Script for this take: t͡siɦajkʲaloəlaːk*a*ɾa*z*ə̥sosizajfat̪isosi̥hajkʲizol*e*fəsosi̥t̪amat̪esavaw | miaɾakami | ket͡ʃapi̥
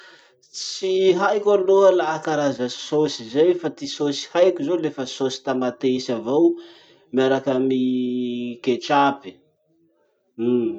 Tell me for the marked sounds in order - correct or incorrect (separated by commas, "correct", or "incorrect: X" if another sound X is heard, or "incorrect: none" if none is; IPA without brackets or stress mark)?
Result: correct, correct, correct